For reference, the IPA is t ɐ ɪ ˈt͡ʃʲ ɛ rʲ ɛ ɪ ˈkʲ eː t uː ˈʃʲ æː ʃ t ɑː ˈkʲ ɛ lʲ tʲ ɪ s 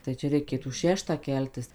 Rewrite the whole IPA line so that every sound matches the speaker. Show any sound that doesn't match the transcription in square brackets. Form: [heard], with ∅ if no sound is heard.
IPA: t ɐ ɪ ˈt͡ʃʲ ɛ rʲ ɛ ɪ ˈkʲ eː t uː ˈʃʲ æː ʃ t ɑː ˈkʲ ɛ lʲ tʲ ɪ s